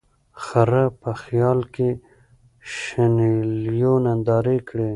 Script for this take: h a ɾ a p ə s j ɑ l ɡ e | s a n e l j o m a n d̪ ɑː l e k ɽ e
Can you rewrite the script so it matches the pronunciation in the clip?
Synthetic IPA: x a ɾ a p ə x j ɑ l k e | ʃ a n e l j o n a n d̪ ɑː ɾ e k ɽ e